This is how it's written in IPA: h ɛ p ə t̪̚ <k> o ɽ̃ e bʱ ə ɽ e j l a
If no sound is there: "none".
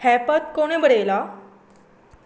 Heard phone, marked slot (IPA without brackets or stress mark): k